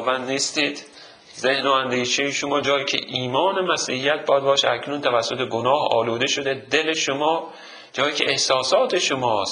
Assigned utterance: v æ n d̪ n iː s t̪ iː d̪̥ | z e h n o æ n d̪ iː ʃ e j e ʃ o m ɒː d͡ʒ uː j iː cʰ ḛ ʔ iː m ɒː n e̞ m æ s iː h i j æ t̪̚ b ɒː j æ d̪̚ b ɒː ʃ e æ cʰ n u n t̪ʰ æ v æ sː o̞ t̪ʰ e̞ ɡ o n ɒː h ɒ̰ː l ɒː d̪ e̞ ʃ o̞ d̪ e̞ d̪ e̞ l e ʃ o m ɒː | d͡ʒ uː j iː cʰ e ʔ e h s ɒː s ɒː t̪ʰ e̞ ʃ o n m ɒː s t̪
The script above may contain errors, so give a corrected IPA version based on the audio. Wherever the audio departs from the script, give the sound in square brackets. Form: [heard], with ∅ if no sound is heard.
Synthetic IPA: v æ n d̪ n iː s t̪ iː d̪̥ | z e h n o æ n d̪ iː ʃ e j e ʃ o m ɒː d͡ʒ [ɒː] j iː cʰ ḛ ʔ iː m ɒː n e̞ m æ s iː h i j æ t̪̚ b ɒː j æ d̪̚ b ɒː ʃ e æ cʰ n u n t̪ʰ æ v æ sː o̞ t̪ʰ e̞ ɡ o n ɒː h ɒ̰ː l [uː] d̪ e̞ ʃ o̞ d̪ e̞ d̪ e̞ l e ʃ o m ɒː | d͡ʒ [ɒː] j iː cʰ e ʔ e h s ɒː s ɒː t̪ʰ e̞ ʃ o [∅] m ɒː s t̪